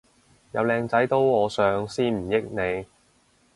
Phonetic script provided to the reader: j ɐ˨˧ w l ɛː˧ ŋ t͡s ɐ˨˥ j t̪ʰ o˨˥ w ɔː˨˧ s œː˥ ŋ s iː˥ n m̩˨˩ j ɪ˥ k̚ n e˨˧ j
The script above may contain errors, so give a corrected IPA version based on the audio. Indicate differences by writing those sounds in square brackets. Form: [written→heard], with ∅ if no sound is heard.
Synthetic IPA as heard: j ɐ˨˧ w l ɛː˧ ŋ t͡s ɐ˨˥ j [t̪ʰ→t̪] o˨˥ w ɔː˨˧ s [œː˥→œː˨˧] ŋ s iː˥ n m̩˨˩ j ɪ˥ k̚ n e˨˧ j